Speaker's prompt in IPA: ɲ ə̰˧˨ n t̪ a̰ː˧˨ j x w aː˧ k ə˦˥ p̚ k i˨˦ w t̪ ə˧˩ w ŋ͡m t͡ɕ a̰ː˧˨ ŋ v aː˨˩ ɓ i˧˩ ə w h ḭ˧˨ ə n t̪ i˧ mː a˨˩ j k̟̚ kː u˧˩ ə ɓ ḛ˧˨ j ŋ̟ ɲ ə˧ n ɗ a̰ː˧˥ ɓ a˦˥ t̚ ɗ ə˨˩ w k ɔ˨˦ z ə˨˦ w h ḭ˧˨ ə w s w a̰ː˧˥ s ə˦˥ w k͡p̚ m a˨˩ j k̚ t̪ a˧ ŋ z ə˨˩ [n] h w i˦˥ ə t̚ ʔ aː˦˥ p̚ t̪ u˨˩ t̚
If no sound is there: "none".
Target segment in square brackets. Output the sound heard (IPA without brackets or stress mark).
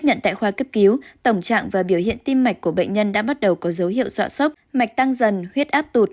n